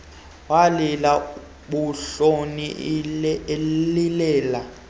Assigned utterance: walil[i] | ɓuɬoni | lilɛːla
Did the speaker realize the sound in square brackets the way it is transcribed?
no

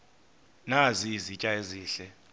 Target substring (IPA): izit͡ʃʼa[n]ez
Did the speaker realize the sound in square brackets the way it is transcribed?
no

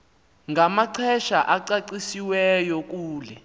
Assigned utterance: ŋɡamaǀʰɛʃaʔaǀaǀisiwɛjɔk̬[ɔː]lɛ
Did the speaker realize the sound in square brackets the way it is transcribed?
no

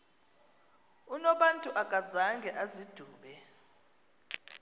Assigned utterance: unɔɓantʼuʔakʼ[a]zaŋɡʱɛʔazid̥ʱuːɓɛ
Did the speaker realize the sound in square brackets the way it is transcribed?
yes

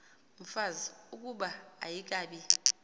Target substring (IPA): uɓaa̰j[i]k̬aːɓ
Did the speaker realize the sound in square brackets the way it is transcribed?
yes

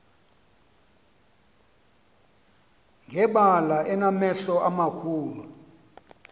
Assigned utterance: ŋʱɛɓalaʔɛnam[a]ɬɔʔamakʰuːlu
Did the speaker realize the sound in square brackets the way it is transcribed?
no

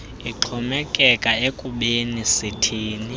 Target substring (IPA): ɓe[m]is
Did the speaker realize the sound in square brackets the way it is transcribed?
no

